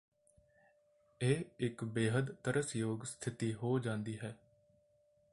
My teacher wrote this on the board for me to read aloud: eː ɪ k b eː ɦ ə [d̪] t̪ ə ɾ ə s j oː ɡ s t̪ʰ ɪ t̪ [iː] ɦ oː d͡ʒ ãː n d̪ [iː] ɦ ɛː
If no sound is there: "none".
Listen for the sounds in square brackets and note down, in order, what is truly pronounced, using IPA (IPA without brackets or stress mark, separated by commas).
d̪, iː, iː